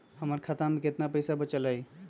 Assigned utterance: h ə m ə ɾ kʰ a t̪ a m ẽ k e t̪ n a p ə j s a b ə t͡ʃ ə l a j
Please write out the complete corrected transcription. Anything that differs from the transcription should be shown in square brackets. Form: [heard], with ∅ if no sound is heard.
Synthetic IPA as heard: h ə m ə ɾ kʰ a t̪ a m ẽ k e t̪ n a p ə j s a b ə t͡ʃ ə l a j